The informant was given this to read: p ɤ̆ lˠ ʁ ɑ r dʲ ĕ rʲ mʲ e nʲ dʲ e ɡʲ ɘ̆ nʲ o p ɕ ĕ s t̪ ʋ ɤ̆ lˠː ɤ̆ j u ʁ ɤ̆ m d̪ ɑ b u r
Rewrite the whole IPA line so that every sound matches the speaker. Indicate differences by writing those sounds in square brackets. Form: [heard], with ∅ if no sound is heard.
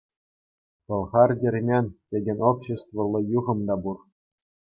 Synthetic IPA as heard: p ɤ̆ lˠ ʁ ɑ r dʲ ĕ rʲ mʲ e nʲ [tʲ] e ɡʲ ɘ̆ nʲ o p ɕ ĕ s t̪ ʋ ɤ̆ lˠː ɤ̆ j u ʁ ɤ̆ m d̪ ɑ b u r

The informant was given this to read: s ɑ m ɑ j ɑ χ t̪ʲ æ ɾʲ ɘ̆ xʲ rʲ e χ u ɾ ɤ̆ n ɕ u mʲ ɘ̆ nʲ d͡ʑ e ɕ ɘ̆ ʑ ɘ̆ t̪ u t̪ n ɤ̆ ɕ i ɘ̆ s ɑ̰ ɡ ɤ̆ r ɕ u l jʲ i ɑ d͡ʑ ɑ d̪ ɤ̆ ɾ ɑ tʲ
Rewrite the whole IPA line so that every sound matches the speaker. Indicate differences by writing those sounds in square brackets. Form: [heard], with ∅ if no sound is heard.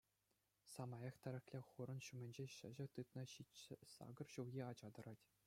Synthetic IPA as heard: s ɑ m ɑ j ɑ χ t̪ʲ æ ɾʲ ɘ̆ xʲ [lʲ] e χ u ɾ ɤ̆ n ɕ u mʲ ɘ̆ nʲ d͡ʑ e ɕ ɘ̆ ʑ ɘ̆ t̪ [ɯ] t̪ n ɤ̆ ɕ i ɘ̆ s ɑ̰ ɡ ɤ̆ r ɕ u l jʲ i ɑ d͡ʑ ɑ d̪ ɤ̆ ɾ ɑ tʲ

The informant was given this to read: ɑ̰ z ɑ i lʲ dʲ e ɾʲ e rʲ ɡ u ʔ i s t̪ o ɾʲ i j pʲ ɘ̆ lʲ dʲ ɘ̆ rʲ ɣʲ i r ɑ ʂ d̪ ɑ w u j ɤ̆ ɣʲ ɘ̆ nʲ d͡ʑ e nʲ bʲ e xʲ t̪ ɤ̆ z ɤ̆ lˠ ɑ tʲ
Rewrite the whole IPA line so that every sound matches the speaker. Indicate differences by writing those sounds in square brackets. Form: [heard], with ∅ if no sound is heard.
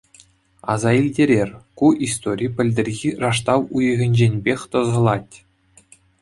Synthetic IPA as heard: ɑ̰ z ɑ i lʲ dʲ e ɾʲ e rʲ [k] u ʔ i s t̪ o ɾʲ i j pʲ ɘ̆ lʲ dʲ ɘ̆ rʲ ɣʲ i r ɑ ʂ [t̪] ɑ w u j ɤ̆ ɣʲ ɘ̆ nʲ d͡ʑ e nʲ bʲ e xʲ t̪ ɤ̆ z ɤ̆ lˠ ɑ tʲ

